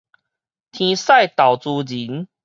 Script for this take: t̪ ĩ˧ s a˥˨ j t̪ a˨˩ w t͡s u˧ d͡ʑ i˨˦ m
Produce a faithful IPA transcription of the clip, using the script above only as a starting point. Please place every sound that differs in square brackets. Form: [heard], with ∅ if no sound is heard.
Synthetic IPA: [t̪ʰ] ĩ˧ s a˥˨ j t̪ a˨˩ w t͡s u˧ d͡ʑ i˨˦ [n]